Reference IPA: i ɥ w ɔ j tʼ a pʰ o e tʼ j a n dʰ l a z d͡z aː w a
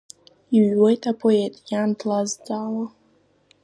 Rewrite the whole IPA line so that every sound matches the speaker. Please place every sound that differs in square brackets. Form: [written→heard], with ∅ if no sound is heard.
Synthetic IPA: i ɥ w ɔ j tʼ a pʰ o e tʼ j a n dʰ l a z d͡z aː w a